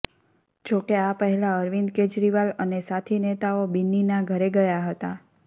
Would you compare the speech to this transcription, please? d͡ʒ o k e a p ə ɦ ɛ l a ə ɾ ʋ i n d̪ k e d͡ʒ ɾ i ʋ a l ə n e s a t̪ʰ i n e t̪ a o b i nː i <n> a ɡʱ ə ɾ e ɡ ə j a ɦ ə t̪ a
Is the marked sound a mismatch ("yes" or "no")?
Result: no